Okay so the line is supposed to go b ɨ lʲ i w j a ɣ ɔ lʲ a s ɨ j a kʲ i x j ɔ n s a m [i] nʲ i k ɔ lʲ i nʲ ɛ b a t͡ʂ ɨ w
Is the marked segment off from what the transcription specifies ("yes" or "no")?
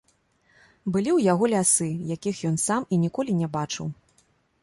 no